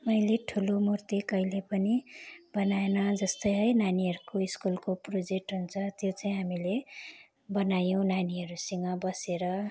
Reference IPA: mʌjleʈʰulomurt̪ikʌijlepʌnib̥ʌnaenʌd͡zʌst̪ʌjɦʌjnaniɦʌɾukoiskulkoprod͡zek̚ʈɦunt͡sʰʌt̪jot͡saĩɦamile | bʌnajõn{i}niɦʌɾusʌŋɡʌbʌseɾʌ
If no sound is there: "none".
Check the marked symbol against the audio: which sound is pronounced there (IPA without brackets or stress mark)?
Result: a